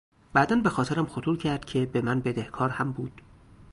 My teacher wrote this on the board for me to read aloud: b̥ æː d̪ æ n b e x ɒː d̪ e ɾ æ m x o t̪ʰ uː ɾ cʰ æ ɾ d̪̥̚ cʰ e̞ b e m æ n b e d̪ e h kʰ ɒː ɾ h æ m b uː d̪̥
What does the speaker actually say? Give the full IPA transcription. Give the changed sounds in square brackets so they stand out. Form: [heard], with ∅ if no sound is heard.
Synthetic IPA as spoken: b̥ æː d̪ æ n b e x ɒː [t̪] e ɾ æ m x o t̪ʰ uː ɾ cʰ æ ɾ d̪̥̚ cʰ e̞ b e m æ n b e d̪ e h kʰ ɒː ɾ h æ m b uː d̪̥